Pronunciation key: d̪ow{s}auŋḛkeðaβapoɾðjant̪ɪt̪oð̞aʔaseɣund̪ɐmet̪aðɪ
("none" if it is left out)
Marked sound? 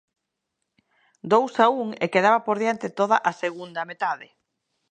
s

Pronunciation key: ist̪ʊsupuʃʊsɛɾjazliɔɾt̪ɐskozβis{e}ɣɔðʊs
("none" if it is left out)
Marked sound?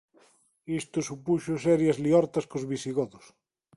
i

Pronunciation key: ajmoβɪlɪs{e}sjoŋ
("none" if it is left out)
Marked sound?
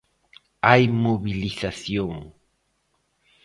a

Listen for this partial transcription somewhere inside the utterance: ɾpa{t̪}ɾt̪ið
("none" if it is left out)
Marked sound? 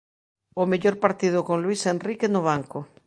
none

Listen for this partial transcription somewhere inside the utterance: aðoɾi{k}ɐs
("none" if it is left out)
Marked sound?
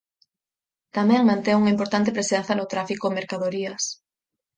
none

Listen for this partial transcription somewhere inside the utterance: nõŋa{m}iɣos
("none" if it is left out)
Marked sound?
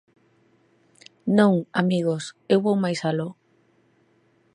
m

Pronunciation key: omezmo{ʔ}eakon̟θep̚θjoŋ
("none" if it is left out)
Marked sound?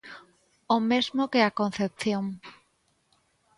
k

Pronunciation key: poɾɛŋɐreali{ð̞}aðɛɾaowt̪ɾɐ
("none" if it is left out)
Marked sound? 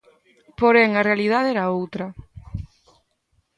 ð̞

